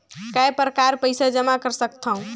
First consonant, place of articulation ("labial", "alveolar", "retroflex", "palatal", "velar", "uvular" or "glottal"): velar